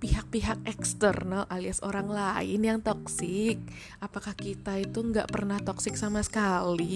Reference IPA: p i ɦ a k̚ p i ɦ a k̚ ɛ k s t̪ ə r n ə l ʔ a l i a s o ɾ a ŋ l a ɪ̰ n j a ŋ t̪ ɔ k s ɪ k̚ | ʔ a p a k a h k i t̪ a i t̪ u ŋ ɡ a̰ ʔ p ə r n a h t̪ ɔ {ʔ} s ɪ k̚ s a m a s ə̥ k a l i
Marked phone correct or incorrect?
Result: incorrect